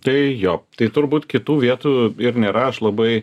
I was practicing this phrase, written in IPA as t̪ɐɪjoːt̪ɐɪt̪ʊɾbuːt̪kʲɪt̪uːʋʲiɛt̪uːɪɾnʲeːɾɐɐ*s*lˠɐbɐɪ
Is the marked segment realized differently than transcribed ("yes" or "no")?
yes